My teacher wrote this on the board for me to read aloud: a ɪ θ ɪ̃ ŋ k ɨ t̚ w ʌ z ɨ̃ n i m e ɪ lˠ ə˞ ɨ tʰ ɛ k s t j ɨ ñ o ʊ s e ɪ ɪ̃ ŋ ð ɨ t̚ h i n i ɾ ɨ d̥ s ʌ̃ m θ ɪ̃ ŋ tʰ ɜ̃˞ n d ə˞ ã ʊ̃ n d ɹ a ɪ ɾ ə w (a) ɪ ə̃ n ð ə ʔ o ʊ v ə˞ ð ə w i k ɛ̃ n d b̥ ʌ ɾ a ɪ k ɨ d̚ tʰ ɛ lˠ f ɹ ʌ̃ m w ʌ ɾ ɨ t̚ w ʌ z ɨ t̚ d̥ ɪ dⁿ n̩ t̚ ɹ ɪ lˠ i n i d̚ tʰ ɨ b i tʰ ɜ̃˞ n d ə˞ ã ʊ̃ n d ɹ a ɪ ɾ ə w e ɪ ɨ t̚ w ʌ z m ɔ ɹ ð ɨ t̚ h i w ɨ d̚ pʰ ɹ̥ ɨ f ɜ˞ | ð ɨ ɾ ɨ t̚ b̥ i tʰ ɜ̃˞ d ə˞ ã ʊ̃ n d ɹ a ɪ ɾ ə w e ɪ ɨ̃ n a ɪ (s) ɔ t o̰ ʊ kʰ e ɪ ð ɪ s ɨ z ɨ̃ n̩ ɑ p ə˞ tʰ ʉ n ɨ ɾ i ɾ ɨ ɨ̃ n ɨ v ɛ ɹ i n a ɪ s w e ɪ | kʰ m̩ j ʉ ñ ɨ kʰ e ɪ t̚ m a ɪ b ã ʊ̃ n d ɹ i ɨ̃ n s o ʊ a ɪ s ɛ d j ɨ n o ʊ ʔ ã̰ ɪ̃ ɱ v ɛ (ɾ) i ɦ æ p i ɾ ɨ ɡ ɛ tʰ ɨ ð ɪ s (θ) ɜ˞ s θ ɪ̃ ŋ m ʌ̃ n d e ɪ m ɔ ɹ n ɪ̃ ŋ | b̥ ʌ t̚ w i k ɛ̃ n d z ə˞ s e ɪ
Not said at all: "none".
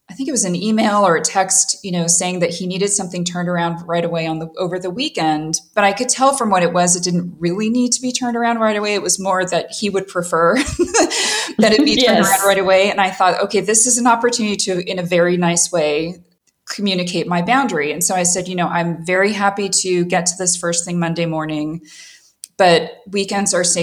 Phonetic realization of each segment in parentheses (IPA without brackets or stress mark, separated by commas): e, θ, ɹ, f